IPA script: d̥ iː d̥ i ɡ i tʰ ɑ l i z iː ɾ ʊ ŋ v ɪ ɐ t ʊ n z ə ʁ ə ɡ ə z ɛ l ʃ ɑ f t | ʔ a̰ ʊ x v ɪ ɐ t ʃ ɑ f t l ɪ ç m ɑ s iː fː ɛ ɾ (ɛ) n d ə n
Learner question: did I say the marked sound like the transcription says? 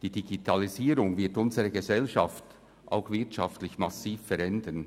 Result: yes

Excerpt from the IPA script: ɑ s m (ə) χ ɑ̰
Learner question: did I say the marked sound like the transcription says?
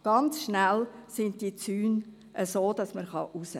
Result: yes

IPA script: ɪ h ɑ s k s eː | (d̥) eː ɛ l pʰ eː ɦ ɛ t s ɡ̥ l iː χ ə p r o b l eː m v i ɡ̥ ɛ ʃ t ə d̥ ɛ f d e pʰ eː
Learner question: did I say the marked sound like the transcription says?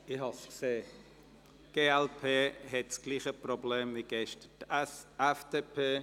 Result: no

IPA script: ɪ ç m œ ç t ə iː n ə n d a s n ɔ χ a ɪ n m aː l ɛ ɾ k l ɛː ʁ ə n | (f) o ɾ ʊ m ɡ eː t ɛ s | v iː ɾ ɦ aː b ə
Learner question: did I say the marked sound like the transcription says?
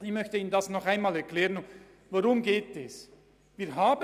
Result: no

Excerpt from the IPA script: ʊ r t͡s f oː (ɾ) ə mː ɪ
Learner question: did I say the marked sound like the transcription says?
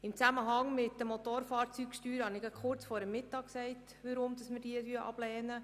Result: yes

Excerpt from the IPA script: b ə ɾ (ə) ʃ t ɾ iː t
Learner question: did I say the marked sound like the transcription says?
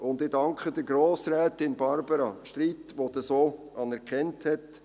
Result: no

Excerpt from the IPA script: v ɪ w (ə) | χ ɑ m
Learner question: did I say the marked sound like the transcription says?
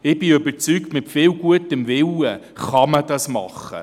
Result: yes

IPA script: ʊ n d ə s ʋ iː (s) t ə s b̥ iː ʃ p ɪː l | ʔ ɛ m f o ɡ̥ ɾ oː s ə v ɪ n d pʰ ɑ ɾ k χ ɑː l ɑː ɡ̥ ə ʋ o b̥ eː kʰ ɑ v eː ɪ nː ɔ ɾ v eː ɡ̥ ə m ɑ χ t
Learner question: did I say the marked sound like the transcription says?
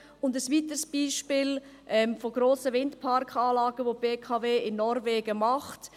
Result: no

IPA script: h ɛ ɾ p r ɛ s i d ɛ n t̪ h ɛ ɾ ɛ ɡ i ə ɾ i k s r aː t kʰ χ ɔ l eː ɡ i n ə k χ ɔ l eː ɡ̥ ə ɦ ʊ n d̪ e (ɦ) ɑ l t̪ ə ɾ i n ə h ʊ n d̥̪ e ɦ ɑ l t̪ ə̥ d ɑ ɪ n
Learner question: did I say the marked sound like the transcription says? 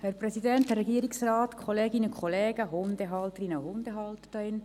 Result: yes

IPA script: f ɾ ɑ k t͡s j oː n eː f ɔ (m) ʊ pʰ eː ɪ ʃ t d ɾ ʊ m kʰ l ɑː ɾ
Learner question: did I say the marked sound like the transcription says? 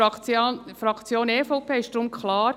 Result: no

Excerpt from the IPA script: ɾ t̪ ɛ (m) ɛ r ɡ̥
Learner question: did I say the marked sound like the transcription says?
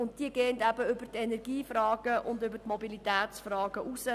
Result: no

